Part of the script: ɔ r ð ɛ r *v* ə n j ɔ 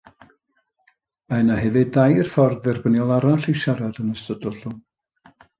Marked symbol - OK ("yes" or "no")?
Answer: no